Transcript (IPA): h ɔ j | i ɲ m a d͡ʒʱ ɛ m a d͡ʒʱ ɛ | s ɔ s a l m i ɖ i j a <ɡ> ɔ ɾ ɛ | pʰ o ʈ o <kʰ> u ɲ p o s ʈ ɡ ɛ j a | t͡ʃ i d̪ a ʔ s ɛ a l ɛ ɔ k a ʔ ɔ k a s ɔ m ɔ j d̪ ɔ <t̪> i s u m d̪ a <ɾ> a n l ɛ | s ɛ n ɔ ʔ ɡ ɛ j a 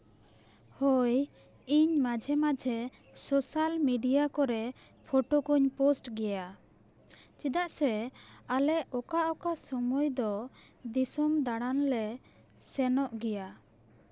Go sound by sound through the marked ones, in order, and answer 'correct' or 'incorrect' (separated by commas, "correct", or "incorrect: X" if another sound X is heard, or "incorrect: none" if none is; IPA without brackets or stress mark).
incorrect: k, incorrect: k, incorrect: d̪, incorrect: ɽ